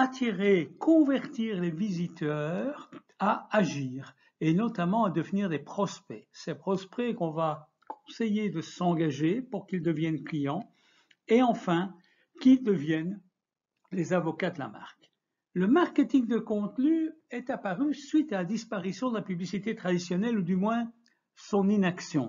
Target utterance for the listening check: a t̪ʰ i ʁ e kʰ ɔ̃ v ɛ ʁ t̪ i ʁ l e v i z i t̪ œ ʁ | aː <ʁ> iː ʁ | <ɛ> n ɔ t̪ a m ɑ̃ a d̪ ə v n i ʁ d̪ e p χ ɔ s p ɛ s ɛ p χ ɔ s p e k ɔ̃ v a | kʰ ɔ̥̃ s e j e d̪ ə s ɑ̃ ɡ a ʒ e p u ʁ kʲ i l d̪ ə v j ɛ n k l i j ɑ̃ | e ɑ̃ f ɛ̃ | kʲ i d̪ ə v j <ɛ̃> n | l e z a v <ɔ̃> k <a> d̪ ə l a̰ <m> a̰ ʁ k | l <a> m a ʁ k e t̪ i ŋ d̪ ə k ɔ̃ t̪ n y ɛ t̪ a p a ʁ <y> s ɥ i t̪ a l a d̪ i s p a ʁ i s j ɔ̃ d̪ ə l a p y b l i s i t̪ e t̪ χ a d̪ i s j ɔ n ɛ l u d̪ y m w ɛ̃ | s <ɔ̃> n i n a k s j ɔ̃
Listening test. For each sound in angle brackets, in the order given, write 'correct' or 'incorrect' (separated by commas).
incorrect, incorrect, incorrect, incorrect, correct, correct, incorrect, correct, correct